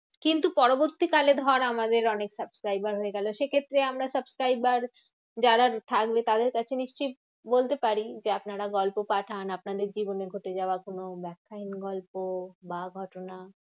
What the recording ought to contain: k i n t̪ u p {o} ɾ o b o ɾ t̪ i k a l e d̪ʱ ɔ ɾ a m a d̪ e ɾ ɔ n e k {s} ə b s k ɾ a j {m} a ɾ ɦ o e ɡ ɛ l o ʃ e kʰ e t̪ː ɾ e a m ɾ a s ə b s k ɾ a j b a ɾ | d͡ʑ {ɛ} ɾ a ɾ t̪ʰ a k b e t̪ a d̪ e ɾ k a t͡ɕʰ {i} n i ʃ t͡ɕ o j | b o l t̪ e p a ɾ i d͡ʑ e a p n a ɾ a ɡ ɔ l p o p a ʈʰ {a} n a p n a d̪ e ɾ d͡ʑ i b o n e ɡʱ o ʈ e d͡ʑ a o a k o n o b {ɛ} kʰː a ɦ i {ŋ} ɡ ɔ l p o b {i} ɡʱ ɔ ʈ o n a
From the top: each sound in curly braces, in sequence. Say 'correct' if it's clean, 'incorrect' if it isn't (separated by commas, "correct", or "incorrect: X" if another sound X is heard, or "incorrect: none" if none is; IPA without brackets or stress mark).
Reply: incorrect: ɔ, correct, incorrect: b, incorrect: a, incorrect: e, correct, correct, incorrect: n, incorrect: a